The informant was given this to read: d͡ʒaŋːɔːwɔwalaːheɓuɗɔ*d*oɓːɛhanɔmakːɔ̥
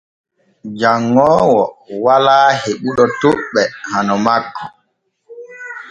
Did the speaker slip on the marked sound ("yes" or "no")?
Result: yes